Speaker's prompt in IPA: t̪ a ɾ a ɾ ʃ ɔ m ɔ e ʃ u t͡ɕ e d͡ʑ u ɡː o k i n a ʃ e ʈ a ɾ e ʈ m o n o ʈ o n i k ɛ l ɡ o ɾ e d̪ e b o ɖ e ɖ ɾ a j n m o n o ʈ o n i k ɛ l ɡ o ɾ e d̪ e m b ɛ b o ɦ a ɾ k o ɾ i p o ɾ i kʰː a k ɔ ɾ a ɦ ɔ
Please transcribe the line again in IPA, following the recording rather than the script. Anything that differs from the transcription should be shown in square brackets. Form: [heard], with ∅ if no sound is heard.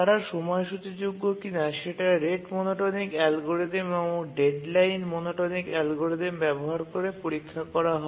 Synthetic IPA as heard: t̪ a ɾ a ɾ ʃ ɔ m ɔ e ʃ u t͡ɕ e d͡ʑ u ɡː o k i n a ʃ e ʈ a ɾ e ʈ m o n o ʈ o n i k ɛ l ɡ o ɾ e d̪ e [m] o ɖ e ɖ [l] a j n m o n o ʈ o n i k ɛ l ɡ o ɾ e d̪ e m b ɛ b o ɦ a ɾ k o ɾ [e] p o ɾ i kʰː a k ɔ ɾ a ɦ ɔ

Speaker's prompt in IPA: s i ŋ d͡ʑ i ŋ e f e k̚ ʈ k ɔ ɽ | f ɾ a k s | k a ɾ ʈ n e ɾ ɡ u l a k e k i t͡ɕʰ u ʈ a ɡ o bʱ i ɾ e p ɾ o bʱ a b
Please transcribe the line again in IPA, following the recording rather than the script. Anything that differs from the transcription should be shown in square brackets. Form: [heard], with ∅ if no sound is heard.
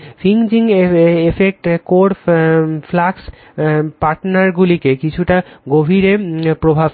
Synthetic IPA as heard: [f] i ŋ d͡ʑ i ŋ e f e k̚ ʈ k [o] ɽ | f [l] a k s | [p] a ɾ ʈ n [a] ɾ ɡ u l [i] k e k i t͡ɕʰ u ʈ a ɡ o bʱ i ɾ e p ɾ o bʱ a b

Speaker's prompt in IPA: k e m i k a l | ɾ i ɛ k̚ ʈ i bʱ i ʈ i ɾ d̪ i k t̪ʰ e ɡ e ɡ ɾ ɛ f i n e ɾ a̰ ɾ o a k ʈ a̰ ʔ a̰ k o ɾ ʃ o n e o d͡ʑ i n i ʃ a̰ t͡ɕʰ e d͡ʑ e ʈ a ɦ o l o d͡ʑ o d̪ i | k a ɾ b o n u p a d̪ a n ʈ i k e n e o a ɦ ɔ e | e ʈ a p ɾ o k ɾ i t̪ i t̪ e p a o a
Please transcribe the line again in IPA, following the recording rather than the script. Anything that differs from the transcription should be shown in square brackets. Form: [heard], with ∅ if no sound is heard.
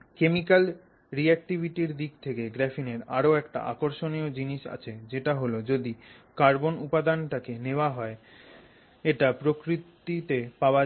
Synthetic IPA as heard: k e m i k a l | ɾ i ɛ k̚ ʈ i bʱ i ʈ i ɾ d̪ i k t̪ʰ e [k] e ɡ ɾ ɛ f i n e ɾ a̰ ɾ o [ɛ] k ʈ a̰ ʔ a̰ k o ɾ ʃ o n [i] o d͡ʑ i n i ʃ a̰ t͡ɕʰ e d͡ʑ e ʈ a ɦ o l o d͡ʑ o d̪ i | k a ɾ b o n u p a d̪ a n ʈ [a] k e n e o a ɦ ɔ e | e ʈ a p ɾ o k ɾ i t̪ i t̪ e p a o a

